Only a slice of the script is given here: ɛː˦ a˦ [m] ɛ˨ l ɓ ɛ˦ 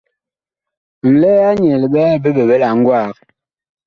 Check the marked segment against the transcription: incorrect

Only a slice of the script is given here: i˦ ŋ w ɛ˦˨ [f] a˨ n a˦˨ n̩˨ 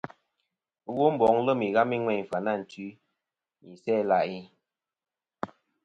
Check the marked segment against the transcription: correct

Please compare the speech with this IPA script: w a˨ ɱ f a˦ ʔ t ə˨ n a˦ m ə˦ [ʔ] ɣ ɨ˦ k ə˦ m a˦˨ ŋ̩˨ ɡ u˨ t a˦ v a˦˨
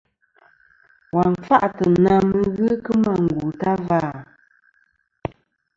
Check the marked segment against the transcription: incorrect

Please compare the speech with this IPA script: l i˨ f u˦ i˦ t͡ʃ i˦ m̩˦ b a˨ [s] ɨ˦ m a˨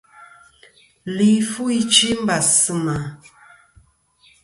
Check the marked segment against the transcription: correct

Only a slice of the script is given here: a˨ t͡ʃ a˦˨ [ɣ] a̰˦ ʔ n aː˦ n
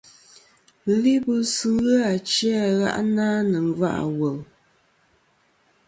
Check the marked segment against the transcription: correct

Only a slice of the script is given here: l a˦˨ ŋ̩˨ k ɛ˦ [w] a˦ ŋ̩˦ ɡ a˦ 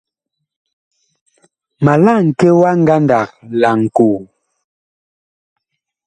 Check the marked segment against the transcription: correct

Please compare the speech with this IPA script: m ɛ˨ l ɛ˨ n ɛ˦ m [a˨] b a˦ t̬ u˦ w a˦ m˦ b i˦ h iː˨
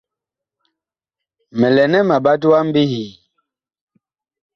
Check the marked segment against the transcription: correct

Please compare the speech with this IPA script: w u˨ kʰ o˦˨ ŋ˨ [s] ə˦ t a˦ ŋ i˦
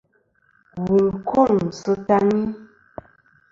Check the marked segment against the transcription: correct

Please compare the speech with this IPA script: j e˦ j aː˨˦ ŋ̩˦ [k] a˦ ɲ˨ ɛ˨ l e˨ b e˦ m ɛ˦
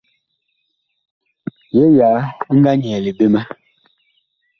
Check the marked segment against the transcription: incorrect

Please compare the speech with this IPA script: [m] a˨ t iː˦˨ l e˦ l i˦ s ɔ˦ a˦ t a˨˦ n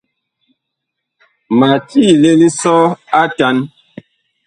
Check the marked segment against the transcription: correct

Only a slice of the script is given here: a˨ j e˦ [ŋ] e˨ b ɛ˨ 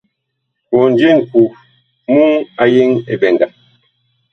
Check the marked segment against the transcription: correct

